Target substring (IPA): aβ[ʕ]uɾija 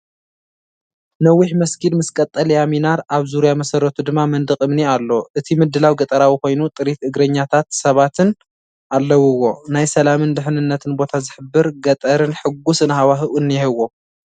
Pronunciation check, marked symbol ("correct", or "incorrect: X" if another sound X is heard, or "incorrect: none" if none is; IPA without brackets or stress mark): incorrect: z